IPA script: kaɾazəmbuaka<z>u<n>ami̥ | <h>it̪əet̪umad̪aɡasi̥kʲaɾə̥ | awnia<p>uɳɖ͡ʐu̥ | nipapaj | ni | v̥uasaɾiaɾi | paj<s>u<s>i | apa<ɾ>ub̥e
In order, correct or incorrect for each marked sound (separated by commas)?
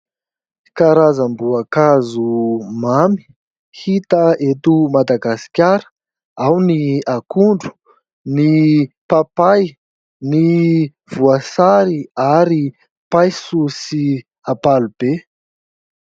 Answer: correct, incorrect, correct, incorrect, correct, correct, incorrect